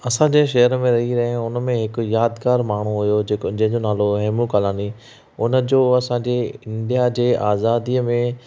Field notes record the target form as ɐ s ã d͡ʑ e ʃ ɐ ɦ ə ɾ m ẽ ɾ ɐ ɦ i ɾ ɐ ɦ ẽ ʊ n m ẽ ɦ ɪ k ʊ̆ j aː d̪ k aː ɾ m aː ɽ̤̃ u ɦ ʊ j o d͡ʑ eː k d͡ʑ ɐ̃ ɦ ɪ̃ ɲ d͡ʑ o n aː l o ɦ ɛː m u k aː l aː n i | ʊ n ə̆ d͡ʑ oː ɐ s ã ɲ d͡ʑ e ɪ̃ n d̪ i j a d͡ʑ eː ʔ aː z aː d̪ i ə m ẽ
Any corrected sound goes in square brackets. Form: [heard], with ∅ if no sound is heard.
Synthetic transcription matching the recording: ɐ s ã d͡ʑ e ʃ ɐ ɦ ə ɾ m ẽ ɾ ɐ ɦ i ɾ ɐ ɦ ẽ ʊ n m ẽ ɦ ɪ k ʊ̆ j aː d̪ k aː ɾ m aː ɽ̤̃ u ɦ ʊ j o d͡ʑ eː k d͡ʑ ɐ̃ ɦ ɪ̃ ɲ d͡ʑ o n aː l o ɦ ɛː m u k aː l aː n i | ʊ n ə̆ d͡ʑ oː ɐ s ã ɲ d͡ʑ e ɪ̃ n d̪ i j a d͡ʑ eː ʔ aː z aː d̪ i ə m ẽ